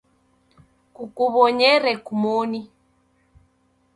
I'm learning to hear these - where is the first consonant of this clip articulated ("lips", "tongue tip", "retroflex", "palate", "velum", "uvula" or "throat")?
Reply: velum